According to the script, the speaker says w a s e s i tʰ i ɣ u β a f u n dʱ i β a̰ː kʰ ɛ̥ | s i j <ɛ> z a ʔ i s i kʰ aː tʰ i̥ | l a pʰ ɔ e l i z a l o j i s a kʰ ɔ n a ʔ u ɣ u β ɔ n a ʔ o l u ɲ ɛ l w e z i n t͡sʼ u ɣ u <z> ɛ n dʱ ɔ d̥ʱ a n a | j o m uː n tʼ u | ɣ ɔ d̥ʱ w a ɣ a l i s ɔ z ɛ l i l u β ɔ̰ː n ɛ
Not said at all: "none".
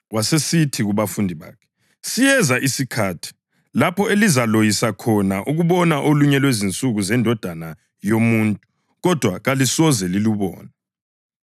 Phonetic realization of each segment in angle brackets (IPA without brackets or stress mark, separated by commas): ɛ, z